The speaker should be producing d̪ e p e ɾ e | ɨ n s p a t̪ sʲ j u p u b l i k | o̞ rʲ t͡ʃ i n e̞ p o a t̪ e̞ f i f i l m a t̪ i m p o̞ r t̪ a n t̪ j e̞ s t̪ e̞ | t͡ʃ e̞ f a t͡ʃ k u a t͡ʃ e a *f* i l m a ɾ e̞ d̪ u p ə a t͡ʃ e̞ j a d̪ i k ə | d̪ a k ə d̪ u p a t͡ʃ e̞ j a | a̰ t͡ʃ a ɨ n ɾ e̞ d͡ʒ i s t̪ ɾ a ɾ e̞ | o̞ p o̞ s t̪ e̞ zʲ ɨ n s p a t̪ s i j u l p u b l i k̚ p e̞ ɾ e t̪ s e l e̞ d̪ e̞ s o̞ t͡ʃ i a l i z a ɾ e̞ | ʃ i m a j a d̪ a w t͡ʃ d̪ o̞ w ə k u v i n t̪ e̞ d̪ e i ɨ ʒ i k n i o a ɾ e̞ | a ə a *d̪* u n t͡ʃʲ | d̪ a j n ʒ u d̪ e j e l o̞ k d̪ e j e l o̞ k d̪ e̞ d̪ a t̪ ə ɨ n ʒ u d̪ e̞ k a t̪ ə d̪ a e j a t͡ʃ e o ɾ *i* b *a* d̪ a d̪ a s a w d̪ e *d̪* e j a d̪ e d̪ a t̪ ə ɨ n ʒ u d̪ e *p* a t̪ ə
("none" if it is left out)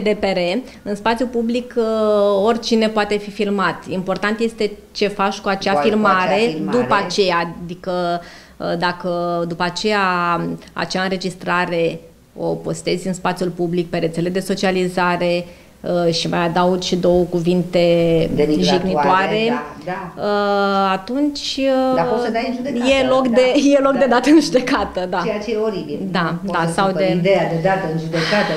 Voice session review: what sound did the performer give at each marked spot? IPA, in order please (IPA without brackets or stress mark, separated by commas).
f, t̪, i, i, d̪, k